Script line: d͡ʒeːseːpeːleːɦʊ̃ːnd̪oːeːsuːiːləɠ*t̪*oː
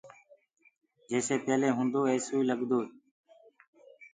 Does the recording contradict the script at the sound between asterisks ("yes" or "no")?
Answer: yes